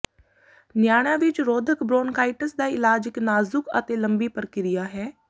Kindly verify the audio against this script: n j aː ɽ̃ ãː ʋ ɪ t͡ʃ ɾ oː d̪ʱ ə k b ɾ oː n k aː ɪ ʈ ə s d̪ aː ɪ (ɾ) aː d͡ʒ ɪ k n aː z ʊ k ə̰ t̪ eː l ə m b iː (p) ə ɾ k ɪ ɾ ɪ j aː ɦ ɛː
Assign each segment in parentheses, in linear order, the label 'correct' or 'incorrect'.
incorrect, correct

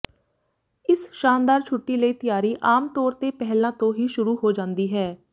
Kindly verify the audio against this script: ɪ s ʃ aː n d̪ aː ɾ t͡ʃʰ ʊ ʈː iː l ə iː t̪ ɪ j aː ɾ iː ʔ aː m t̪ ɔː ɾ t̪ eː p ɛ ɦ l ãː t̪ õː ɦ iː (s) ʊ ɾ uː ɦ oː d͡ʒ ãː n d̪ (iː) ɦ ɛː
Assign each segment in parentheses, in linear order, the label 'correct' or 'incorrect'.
incorrect, correct

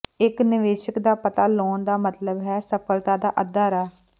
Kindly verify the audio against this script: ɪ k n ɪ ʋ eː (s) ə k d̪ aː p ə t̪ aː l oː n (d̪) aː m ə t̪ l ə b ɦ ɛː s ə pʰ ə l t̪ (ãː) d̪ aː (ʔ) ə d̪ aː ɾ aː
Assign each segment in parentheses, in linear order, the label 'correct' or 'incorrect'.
incorrect, correct, incorrect, correct

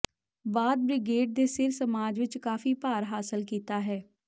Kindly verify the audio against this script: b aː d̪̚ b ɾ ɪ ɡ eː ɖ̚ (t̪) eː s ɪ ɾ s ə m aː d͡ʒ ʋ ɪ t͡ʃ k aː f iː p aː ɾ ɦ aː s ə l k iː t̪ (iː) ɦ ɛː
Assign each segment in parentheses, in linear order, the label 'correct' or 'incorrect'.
incorrect, incorrect

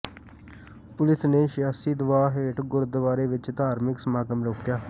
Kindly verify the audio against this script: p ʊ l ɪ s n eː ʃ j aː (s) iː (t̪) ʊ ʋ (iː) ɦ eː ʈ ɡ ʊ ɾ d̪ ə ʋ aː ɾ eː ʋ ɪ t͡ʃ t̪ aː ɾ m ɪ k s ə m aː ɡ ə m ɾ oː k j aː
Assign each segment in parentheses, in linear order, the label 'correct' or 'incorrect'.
correct, incorrect, incorrect

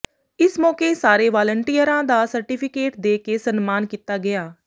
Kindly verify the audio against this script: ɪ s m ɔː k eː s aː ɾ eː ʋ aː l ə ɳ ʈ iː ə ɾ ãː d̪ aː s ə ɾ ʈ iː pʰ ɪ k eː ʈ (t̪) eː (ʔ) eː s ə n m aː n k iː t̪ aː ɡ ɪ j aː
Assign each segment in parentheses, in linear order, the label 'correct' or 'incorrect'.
incorrect, incorrect

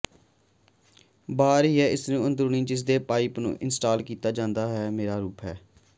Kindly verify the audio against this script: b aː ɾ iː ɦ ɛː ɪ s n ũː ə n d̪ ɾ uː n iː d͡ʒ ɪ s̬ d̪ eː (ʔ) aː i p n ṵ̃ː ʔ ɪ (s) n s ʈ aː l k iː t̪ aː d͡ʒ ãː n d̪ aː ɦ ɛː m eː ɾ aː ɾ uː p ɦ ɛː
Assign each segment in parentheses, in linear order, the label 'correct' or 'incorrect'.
incorrect, incorrect

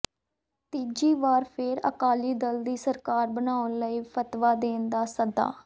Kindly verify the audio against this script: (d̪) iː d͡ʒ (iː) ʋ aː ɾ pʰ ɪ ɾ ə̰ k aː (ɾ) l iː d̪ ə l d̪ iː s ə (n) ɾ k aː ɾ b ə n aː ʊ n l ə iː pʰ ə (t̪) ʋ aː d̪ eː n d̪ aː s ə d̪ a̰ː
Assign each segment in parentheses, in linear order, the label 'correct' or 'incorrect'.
incorrect, correct, incorrect, incorrect, correct

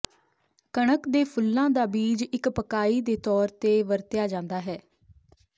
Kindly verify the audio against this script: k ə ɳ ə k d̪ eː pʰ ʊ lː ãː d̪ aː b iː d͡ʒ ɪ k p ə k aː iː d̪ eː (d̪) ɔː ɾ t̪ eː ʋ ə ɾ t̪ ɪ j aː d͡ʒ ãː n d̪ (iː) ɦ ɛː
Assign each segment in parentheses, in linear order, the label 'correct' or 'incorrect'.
incorrect, incorrect

